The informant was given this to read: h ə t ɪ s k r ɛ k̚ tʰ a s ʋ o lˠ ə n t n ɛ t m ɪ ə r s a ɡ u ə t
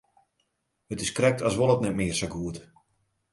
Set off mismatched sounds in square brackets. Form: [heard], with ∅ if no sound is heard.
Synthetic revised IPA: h ə t ɪ s k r ɛ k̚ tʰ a s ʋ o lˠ ə [∅] t n ɛ t m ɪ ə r s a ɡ u ə t